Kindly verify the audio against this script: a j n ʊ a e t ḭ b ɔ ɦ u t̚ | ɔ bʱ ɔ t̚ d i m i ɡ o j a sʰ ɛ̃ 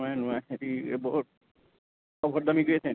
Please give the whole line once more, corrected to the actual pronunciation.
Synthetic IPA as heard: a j n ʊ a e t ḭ b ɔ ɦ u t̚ | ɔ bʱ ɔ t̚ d a m i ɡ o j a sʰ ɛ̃